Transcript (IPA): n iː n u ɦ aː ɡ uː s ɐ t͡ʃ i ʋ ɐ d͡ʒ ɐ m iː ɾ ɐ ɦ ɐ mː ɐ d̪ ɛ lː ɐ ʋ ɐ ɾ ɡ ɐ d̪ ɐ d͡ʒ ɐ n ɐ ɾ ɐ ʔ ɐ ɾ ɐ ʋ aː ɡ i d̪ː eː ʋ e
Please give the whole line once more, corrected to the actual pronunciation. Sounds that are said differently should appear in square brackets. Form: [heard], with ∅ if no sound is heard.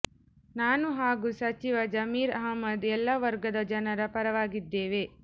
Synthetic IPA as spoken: n [aː] n u ɦ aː ɡ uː s ɐ t͡ʃ i ʋ ɐ d͡ʒ ɐ m iː ɾ ɐ ɦ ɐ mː ɐ d̪ ɛ lː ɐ ʋ ɐ ɾ ɡ ɐ d̪ ɐ d͡ʒ ɐ n ɐ ɾ ɐ [p] ɐ ɾ ɐ ʋ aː ɡ i d̪ː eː ʋ e